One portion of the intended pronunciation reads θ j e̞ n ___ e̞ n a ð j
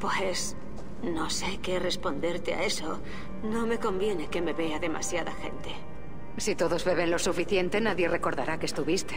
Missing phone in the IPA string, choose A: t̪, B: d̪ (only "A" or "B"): A